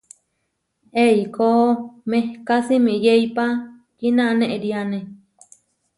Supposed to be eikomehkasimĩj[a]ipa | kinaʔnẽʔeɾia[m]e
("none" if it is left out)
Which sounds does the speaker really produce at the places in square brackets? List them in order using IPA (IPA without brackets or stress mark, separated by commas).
e, n